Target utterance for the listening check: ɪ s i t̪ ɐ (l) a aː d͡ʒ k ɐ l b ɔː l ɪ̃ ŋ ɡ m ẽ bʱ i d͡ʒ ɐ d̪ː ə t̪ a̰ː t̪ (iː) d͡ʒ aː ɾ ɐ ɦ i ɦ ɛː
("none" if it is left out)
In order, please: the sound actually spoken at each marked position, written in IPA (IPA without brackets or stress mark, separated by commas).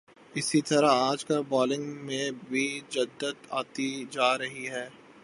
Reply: ɾ, i